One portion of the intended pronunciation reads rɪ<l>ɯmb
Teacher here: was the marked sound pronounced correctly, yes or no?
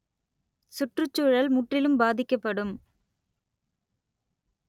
yes